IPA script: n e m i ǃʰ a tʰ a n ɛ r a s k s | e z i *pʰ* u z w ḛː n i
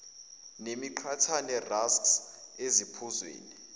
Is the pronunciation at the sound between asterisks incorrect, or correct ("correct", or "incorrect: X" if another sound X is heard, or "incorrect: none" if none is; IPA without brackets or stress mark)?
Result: correct